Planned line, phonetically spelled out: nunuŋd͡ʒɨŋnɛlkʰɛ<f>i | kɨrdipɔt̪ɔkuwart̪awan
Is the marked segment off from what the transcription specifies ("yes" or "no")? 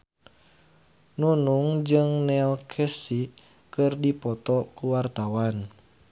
yes